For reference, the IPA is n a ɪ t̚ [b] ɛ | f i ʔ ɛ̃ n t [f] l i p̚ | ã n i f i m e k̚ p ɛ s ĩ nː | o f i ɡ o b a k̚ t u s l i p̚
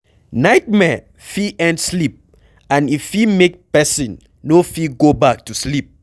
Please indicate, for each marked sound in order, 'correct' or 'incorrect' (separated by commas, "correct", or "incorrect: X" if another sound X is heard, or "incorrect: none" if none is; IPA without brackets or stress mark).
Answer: incorrect: m, incorrect: s